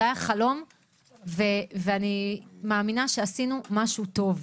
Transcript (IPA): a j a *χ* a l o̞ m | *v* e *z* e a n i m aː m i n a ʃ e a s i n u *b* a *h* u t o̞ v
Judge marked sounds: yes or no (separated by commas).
yes, yes, no, no, no